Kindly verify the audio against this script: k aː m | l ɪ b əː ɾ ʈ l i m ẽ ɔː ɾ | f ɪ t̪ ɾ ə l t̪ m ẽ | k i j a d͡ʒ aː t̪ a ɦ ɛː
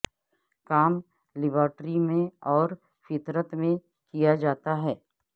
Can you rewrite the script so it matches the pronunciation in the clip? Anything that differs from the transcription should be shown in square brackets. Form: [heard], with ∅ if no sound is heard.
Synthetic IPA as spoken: k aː m | l ɪ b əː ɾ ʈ [ɾ] i m ẽ ɔː ɾ | f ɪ t̪ ɾ ə [∅] t̪ m ẽ | k i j a d͡ʒ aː t̪ a ɦ ɛː